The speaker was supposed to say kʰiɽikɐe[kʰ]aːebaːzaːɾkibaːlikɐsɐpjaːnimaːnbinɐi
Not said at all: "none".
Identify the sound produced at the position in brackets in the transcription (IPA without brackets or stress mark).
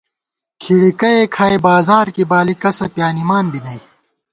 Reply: kʰ